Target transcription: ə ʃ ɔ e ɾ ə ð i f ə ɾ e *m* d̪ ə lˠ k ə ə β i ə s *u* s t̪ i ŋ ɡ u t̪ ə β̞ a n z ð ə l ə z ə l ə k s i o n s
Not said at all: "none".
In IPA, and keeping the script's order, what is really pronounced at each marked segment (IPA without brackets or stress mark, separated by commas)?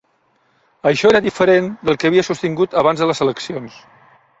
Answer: n, u